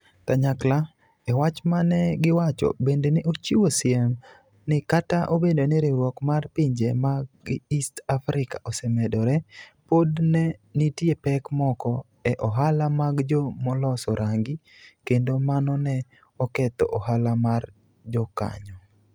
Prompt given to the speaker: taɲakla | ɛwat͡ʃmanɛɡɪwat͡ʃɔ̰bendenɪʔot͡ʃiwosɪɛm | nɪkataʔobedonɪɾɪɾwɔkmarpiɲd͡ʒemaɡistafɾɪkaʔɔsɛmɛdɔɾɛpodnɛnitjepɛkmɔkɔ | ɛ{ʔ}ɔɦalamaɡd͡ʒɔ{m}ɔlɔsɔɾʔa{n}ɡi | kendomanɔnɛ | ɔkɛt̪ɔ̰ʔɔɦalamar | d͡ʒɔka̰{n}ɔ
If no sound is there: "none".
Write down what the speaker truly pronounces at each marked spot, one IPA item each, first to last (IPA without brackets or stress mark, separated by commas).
ʔ, m, ŋ, ɲ